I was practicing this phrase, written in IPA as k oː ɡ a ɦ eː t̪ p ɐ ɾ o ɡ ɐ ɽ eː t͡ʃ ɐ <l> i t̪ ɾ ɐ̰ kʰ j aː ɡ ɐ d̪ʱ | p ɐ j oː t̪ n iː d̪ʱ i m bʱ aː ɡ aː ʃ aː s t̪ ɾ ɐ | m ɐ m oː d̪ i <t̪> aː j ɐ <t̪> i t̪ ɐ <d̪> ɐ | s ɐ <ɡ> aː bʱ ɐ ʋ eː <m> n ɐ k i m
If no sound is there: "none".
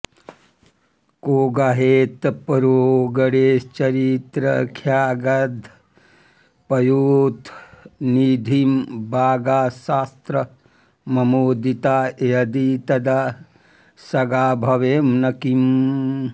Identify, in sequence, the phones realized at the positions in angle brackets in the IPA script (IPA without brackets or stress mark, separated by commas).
ɾ, t̪, d̪, d̪, ɡ, m